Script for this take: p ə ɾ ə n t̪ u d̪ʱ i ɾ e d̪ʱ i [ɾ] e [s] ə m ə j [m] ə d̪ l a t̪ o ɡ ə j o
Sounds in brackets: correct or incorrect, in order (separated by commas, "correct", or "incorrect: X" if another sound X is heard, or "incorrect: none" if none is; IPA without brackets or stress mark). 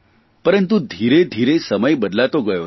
correct, correct, incorrect: b